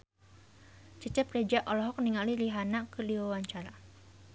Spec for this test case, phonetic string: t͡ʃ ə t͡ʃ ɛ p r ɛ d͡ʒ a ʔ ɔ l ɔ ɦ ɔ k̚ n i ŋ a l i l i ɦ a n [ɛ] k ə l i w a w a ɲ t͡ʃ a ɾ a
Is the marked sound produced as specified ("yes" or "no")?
no